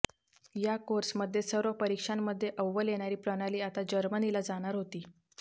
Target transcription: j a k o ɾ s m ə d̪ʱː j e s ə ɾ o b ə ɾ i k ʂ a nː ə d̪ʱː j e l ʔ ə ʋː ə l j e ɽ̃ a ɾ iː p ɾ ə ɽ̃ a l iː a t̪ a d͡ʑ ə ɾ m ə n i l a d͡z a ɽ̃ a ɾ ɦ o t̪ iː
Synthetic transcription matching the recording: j a k o ɾ s m ə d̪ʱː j e s ə ɾ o p ə ɾ i k ʂ a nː ə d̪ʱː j e ʔ ə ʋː ə l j e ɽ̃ a ɾ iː p ɾ ə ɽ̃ a l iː a t̪ a d͡ʑ ə ɾ m ə n i l a d͡z a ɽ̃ a ɾ ɦ o t̪ iː